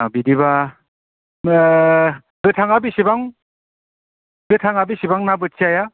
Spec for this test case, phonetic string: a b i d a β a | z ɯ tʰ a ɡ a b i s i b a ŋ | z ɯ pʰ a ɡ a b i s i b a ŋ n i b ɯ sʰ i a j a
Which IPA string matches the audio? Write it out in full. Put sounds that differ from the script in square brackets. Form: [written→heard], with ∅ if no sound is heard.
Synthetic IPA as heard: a b i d [a→i] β a | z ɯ tʰ a [ɡ→ŋ] a b i s i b a ŋ | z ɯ [pʰ→tʰ] a [ɡ→ŋ] a b i s i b a ŋ n [i→a] b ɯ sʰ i a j a

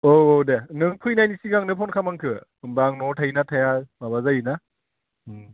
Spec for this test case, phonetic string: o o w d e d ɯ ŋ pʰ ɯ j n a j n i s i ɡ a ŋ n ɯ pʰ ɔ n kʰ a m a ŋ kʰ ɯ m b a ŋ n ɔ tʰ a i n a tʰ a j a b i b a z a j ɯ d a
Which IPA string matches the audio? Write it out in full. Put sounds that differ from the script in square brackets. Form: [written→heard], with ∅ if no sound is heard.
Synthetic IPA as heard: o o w d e [d→n] ɯ ŋ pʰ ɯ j n a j n i s i ɡ a ŋ n ɯ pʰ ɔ n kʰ a m a ŋ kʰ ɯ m b a ŋ n ɔ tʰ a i n a tʰ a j a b [i→a] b a z a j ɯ [d→n] a

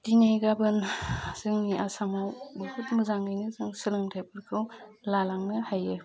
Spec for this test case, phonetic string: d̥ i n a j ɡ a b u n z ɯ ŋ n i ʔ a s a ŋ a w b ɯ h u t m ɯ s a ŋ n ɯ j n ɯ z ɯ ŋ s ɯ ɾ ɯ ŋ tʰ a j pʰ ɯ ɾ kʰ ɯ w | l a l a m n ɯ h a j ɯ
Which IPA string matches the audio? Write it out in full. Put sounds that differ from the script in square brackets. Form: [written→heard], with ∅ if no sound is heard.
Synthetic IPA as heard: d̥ i n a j ɡ a b [u→ɯ] n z ɯ ŋ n i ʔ a s a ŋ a w b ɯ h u t m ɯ [s→z] a ŋ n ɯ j n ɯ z ɯ ŋ s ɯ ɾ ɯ ŋ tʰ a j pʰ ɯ ɾ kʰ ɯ w | l a l a [m→ŋ] n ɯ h a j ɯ

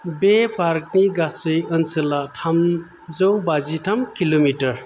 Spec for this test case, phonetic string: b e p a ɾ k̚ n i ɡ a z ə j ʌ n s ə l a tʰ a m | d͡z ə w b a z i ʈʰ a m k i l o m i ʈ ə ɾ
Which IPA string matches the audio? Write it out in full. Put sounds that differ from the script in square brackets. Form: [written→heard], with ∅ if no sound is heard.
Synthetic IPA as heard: b e p a ɾ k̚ n i ɡ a [z→s] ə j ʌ n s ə l a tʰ a m | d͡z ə w b a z i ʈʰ a m k i l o m i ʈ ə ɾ

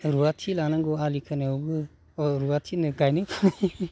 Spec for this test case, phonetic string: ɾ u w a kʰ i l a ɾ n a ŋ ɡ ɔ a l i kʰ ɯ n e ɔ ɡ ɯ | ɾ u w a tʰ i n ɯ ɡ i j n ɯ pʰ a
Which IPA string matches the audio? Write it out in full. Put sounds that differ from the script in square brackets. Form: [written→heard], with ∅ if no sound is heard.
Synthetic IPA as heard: ɾ u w a [kʰ→tʰ] i l a [ɾ→∅] n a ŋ ɡ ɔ a l i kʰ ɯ n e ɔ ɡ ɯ | ɾ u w a tʰ i n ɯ ɡ [i→a] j n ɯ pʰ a

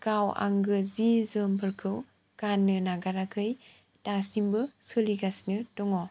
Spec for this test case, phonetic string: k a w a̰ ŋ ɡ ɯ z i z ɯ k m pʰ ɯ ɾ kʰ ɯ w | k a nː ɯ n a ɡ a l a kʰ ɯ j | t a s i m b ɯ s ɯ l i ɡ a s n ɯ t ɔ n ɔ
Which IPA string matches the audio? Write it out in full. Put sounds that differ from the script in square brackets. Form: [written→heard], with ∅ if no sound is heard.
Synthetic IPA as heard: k a w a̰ ŋ ɡ ɯ z i z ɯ [k→∅] m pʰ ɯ ɾ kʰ ɯ w | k a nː ɯ n a ɡ a [l→ɾ] a kʰ ɯ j | t a s i m b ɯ s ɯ l i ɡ a s n ɯ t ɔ [n→ŋ] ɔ

